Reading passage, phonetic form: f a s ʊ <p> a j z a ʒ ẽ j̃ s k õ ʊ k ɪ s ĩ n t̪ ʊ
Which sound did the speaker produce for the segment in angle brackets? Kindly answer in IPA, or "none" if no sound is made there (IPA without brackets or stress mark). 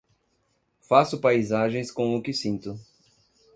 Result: p